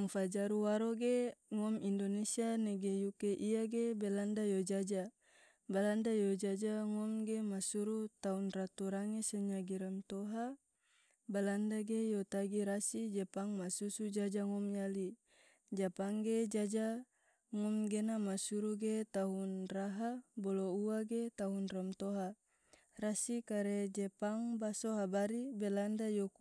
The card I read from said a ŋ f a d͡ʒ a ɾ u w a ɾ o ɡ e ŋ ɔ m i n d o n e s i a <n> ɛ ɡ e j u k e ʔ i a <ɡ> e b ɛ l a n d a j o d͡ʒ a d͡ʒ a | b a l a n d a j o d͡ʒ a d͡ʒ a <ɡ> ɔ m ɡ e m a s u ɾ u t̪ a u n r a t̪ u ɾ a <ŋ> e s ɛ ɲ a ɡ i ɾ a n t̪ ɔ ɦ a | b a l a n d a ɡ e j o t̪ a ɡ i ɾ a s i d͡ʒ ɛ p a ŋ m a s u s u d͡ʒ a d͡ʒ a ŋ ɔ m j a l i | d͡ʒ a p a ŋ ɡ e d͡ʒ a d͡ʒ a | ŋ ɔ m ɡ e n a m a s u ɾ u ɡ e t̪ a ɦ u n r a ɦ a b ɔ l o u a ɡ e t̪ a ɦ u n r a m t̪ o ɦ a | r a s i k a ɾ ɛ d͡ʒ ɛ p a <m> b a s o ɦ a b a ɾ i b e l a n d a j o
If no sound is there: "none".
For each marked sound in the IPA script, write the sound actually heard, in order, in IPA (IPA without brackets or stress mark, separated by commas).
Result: n, ɡ, ŋ, ŋ, ŋ